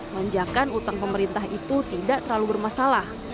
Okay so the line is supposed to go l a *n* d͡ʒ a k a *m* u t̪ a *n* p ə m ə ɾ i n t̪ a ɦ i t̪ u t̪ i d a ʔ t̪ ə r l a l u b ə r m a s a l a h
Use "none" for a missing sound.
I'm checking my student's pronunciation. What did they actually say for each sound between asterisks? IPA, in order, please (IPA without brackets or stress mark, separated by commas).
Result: ɲ, n, ŋ